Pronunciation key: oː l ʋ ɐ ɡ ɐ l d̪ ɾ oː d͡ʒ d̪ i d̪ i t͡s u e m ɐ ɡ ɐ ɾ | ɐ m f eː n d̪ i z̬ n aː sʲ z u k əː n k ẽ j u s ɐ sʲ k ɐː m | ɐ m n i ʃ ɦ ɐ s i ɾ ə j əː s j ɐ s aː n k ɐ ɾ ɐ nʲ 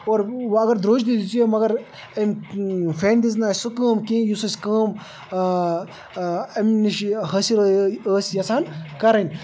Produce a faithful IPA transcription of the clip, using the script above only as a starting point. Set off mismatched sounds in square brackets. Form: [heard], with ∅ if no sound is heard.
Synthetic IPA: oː [ɾ] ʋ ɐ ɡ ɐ [ɾ] d̪ ɾ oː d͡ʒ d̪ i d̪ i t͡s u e m ɐ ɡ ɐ ɾ | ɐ m f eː n d̪ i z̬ n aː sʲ [s] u k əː [m] k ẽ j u s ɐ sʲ k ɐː m | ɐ m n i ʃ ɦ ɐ s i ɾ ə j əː s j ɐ s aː n k ɐ ɾ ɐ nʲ